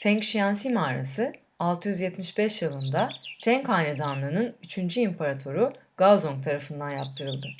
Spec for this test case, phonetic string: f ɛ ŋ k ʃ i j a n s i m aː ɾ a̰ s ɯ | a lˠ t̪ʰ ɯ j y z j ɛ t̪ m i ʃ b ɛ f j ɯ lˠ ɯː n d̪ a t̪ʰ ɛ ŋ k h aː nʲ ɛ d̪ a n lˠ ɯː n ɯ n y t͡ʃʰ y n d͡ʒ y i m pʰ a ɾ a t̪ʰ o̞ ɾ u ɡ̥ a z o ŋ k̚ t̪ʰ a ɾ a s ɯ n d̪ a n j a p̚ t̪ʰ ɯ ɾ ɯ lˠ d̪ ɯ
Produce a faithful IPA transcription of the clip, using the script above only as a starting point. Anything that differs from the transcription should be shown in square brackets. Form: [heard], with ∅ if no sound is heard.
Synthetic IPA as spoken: f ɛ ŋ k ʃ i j a n s i m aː ɾ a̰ s ɯ | a lˠ t̪ʰ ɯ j y z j ɛ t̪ m i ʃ b ɛ [ʃ] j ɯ lˠ [ɯ] n d̪ a t̪ʰ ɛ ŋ k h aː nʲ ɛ d̪ a n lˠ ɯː n ɯ n y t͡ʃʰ y n d͡ʒ y i m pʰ a ɾ a t̪ʰ o̞ ɾ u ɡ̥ a z o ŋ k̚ t̪ʰ a ɾ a [f] ɯ n d̪ a n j a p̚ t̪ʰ ɯ ɾ ɯ lˠ d̪ ɯ

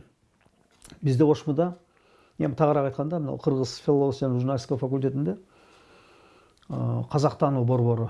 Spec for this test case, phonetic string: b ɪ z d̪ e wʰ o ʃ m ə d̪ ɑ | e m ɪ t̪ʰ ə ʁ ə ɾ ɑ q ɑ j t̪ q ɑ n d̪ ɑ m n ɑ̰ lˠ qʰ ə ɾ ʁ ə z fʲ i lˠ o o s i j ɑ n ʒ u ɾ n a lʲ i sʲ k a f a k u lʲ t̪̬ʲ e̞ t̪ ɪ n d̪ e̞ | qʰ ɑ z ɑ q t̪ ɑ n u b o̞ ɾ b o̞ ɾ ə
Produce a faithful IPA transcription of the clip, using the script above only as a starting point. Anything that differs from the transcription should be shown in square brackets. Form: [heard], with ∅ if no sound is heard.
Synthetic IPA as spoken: b ɪ z d̪ e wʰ o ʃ m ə d̪ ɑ | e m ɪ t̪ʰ [ɑ] ʁ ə ɾ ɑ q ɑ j t̪ q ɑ n d̪ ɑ m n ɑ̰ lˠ qʰ ə ɾ ʁ ə z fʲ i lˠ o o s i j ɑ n ʒ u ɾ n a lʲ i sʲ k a f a k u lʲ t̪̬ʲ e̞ t̪ ɪ n d̪ e̞ | qʰ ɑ z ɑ q t̪ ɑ n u b o̞ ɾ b o̞ ɾ ə

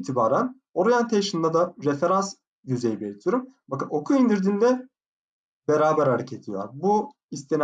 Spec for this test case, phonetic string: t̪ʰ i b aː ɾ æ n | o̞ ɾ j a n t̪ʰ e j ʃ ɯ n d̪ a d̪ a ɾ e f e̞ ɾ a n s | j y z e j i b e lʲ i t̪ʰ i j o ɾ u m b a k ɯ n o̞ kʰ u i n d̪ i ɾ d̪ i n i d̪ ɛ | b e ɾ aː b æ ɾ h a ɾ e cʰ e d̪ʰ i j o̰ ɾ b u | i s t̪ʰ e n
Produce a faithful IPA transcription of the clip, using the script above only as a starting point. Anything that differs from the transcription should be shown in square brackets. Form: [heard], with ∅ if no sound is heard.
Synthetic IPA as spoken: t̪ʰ i b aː ɾ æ n | o̞ ɾ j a n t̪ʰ e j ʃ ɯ n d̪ a d̪ a ɾ e f e̞ ɾ a n s | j y z e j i b e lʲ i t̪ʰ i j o ɾ u m b a k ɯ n o̞ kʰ u i n d̪ i ɾ d̪ i n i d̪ ɛ | b e ɾ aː b æ ɾ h a ɾ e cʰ e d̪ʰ i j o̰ ɾ b u | i s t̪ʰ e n

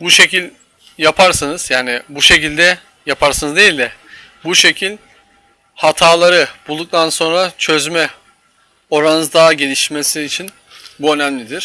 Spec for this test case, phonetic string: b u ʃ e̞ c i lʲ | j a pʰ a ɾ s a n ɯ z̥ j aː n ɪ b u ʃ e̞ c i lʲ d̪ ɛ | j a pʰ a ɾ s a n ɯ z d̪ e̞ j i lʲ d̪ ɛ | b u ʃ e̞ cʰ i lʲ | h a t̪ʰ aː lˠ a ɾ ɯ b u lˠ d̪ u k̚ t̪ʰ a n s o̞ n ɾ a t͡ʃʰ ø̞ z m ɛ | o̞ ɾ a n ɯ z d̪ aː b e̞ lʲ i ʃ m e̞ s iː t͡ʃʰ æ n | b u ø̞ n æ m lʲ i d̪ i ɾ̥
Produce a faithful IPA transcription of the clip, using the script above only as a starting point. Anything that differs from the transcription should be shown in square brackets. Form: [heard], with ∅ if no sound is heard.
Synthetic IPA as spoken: b u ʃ e̞ c i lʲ | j a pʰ a ɾ s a n ɯ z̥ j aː n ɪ b u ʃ e̞ c i lʲ d̪ ɛ | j a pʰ a ɾ s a n ɯ z d̪ e̞ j i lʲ d̪ ɛ | b u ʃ e̞ cʰ i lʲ | h a t̪ʰ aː lˠ a ɾ ɯ b u lˠ d̪ u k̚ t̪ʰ a n s o̞ n ɾ a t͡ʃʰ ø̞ z m ɛ | o̞ ɾ a n ɯ z d̪ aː [ɟ] e̞ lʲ i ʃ m e̞ s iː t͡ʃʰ [i] n | b u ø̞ n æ m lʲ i d̪ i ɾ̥

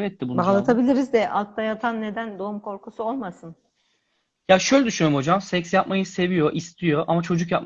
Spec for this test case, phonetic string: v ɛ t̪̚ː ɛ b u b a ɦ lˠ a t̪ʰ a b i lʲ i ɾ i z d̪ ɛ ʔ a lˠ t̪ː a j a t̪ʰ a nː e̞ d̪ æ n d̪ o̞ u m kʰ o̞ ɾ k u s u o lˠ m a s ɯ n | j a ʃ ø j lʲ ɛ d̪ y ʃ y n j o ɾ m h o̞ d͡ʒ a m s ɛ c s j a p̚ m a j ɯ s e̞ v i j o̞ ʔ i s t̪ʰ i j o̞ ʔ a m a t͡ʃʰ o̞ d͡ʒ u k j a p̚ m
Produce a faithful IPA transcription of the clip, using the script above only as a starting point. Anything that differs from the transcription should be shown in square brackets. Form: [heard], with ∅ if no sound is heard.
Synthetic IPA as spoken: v ɛ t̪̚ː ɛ b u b a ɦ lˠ a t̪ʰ a b i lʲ i ɾ i z d̪ ɛ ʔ a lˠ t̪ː a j a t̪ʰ a nː e̞ d̪ æ n d̪ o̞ u m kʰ o̞ ɾ k u s u o lˠ m a s ɯ n | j a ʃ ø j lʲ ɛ d̪ y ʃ y n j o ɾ m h o̞ d͡ʒ a m s ɛ c s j a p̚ m a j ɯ s e̞ v i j o̞ ʔ i s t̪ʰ i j o̞ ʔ a m a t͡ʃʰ o̞ d͡ʒ u k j a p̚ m

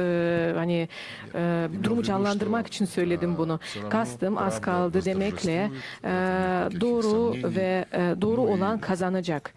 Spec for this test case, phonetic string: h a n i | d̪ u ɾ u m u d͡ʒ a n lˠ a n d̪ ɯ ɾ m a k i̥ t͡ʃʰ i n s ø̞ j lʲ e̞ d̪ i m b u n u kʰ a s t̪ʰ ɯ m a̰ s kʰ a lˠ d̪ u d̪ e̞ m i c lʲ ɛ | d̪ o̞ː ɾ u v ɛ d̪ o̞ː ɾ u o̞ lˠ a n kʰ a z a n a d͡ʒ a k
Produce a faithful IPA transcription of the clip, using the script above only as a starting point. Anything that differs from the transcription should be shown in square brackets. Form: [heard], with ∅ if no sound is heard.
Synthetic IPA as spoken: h a n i | d̪ u ɾ u m u d͡ʒ a n lˠ a n d̪ ɯ ɾ m a k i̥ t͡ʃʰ i n s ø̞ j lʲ e̞ d̪ i m b u n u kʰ a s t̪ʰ ɯ m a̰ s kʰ a lˠ d̪ [ɯ] d̪ e̞ m [ɛ] c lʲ ɛ | d̪ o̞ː ɾ u v ɛ d̪ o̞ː ɾ u o̞ lˠ a n kʰ a z a n a d͡ʒ a k

